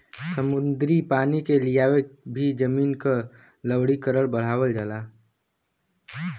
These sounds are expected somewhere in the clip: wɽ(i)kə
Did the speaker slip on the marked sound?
no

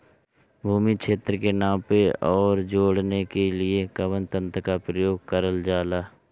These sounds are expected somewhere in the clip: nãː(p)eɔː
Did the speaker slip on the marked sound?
no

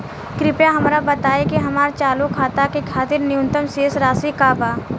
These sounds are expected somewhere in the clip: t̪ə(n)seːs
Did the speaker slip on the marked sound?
yes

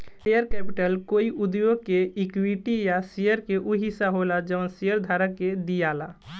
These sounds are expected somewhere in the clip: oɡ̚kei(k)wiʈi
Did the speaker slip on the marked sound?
no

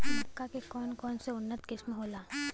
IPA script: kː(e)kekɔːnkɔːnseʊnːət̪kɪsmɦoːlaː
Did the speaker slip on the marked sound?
yes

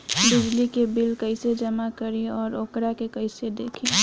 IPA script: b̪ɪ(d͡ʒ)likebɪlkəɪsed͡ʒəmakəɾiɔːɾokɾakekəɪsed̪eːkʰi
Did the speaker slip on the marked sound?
no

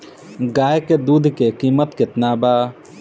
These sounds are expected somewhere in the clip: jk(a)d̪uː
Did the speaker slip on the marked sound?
yes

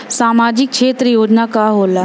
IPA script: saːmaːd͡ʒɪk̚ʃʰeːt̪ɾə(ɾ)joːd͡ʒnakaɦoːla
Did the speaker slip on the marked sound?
yes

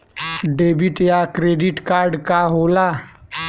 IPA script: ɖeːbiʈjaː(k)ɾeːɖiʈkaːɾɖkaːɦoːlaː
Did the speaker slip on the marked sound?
no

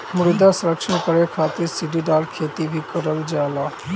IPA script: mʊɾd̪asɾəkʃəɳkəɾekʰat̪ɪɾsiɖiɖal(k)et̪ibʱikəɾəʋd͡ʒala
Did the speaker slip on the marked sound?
yes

